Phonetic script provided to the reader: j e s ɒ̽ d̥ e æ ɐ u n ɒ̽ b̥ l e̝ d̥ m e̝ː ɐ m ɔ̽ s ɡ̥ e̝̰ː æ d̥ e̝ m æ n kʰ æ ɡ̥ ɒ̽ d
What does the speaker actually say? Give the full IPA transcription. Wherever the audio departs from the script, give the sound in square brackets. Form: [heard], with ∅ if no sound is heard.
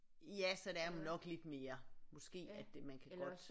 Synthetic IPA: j [æ] s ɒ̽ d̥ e æ ɐ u n ɒ̽ [ɡ̥] l e̝ d̥ m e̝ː ɐ m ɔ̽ s ɡ̥ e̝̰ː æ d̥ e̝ m æ n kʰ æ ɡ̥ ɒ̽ d